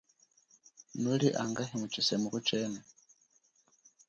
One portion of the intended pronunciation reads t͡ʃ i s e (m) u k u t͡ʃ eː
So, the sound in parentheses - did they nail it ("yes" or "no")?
yes